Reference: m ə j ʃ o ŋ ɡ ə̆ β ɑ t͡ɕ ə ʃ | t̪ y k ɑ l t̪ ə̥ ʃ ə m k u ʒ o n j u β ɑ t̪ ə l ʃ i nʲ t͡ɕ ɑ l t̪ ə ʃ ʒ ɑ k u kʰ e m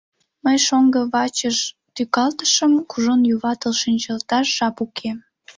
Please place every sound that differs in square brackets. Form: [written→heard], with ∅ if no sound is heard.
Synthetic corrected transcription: m ə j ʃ o ŋ ɡ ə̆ β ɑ t͡ɕ ə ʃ | t̪ y k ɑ l t̪ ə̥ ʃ ə m k u ʒ o n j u β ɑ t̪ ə l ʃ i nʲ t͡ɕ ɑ l t̪ [ə→ɑ] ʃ ʒ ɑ [k→p] u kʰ e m